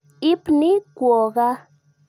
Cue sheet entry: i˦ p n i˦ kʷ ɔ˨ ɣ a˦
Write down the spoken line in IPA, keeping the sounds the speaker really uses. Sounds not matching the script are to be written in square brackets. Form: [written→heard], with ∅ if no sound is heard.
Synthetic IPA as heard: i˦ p n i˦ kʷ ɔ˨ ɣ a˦